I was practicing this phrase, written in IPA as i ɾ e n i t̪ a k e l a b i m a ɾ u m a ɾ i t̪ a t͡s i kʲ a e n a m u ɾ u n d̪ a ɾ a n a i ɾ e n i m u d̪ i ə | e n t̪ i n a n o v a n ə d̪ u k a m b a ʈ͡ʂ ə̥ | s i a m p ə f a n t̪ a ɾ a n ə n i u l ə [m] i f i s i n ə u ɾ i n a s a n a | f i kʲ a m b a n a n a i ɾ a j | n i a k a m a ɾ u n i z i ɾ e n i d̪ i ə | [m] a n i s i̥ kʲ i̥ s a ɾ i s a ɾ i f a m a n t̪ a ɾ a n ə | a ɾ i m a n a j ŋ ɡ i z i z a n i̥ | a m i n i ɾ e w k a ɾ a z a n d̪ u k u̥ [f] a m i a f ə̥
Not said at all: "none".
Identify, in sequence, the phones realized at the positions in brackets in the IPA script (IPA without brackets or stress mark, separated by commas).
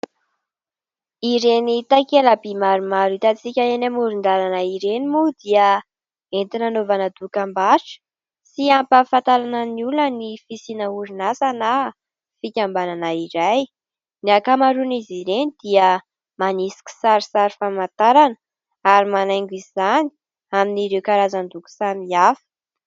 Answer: n, m, s